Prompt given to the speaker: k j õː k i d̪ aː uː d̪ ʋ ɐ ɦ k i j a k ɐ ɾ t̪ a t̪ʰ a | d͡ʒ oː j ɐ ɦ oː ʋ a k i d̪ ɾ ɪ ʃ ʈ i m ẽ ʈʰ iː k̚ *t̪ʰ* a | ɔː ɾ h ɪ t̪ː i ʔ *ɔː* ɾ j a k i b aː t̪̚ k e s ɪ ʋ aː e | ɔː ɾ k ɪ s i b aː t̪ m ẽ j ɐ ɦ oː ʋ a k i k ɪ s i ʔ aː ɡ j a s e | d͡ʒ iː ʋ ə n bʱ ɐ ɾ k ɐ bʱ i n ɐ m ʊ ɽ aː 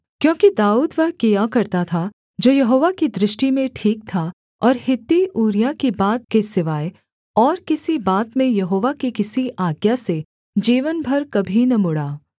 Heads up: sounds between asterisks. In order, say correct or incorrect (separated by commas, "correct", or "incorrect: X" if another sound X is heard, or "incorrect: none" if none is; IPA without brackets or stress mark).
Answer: correct, incorrect: uː